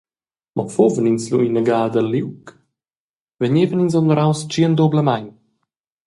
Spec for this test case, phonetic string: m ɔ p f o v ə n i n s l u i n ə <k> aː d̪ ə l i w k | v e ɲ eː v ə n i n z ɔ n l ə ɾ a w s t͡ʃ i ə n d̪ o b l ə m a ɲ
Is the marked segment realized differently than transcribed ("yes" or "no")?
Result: yes